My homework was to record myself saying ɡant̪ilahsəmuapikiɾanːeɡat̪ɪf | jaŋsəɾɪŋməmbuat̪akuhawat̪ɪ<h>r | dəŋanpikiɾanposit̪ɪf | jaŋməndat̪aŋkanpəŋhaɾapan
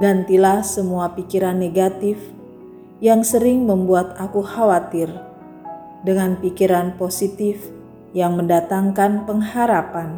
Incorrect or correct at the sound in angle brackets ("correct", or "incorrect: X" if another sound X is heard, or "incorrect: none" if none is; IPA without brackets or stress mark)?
incorrect: none